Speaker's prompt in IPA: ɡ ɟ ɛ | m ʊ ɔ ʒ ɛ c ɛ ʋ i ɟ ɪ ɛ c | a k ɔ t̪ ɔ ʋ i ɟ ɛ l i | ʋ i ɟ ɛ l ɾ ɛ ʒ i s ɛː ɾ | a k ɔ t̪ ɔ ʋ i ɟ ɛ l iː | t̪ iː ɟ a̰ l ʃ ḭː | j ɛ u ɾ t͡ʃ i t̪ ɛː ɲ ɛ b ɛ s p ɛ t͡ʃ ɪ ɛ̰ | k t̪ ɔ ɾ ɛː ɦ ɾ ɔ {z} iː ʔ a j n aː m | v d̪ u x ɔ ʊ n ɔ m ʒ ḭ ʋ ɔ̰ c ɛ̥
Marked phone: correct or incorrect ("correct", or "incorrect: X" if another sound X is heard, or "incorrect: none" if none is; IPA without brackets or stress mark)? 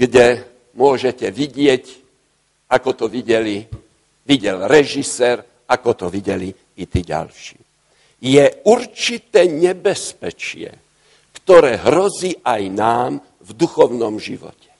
correct